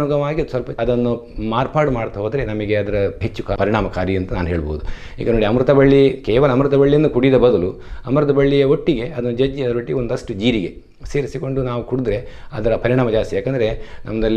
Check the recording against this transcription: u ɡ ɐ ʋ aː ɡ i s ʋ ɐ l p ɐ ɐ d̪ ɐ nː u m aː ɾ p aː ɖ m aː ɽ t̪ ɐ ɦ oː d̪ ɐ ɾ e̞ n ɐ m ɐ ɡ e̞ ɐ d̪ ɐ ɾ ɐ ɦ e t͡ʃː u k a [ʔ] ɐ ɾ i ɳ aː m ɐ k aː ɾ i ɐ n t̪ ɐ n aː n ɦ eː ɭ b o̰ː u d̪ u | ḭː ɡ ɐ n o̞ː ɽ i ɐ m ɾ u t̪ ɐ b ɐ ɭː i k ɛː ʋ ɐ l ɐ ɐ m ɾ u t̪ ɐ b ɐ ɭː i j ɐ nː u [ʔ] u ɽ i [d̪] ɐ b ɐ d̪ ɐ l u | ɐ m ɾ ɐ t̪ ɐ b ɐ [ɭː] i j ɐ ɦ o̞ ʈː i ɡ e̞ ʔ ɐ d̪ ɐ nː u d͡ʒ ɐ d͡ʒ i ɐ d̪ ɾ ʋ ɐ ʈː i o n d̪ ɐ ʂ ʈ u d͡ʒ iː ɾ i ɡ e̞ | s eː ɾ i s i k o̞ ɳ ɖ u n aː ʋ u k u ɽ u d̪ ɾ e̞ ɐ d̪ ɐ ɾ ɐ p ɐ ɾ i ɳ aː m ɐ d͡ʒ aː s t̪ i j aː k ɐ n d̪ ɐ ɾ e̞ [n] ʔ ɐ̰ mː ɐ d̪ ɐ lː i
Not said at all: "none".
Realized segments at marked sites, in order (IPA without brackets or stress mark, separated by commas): p, k, d̪, ɭː, n